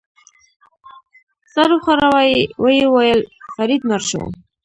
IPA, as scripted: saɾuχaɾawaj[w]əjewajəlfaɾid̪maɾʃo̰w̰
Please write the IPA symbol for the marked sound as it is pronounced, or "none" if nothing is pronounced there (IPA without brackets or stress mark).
w